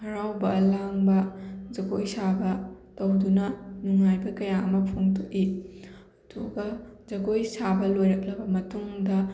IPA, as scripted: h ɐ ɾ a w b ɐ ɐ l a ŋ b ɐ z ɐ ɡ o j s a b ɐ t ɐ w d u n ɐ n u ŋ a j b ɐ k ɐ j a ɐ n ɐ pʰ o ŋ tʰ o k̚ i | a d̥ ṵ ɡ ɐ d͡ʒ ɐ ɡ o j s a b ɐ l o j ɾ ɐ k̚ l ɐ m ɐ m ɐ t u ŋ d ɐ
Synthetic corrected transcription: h ɐ ɾ a w b ɐ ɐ l a ŋ b ɐ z ɐ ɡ o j s a b ɐ t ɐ w d u n ɐ n u ŋ a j b ɐ k ɐ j a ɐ m ɐ pʰ o ŋ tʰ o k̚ i | ɐ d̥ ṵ ɡ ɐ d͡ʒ ɐ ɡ o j s a b ɐ l o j ɾ ɐ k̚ l ɐ b ɐ m ɐ t u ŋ d ɐ